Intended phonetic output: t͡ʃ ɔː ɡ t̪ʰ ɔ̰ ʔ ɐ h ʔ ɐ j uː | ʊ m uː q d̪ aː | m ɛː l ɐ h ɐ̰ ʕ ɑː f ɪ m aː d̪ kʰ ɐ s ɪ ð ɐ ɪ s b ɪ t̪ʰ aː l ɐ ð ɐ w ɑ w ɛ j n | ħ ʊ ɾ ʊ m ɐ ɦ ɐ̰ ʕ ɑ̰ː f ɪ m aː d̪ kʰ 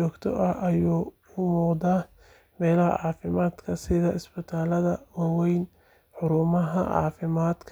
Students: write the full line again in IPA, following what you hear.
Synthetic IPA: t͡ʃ ɔː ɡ t̪ʰ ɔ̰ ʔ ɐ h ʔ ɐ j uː | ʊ m uː q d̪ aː | m ɛː l ɐ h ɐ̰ ʕ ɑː f ɪ m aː d̪ kʰ ɐ s ɪ ð ɐ ɪ s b ɪ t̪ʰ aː l ɐ ð ɐ w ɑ w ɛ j n | ħ ʊ ɾ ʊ m ɐ ɦ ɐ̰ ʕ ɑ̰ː f ɪ m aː d̪ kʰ